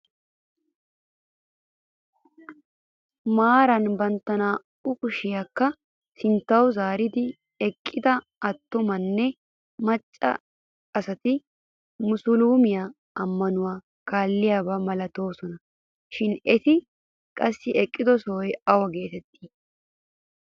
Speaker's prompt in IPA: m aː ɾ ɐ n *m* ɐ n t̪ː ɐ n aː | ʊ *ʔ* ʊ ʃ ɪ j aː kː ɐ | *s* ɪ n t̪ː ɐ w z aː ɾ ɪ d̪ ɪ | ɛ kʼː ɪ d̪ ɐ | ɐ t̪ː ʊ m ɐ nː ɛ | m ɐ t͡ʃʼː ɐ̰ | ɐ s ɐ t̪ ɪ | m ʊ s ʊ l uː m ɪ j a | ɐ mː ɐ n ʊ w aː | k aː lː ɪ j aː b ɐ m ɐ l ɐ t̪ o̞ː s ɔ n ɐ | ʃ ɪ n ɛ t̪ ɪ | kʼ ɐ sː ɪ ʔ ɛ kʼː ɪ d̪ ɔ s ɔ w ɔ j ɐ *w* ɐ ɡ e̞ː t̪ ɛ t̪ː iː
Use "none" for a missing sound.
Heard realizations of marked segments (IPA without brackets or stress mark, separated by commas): b, k, s, w